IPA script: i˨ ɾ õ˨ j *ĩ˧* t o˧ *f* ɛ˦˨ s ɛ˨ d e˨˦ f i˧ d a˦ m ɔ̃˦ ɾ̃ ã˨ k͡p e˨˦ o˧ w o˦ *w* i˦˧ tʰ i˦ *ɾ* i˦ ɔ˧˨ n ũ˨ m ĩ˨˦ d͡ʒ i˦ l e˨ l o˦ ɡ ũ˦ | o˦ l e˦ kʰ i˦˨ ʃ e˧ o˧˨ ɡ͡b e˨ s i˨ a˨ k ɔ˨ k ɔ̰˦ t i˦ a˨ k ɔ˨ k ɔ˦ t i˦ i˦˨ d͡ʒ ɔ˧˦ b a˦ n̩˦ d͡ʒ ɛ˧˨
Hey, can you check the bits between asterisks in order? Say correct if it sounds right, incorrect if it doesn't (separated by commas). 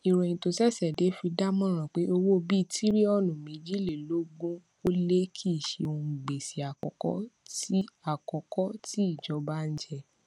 correct, incorrect, incorrect, correct